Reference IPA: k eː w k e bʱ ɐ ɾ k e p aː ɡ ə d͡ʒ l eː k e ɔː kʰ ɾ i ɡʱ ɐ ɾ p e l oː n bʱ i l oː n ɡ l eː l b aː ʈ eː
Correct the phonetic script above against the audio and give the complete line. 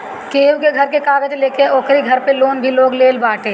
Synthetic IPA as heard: k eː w k e ɡʱ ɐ ɾ k e k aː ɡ ə d͡ʒ l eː k e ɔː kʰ ɾ i ɡʱ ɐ ɾ p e l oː n bʱ i l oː ɡ l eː l b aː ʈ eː